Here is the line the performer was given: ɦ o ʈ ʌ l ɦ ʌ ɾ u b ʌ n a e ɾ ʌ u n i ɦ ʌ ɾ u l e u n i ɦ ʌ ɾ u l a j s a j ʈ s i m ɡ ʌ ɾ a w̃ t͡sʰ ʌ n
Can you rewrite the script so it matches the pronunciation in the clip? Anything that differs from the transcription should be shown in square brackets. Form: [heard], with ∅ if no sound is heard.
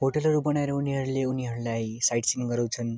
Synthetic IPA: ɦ o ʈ ʌ l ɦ ʌ ɾ u b ʌ n a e ɾ ʌ u n i ɦ ʌ ɾ u l e u n i ɦ ʌ ɾ u l a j s a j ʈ s i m ɡ ʌ ɾ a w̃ t͡sʰ ʌ n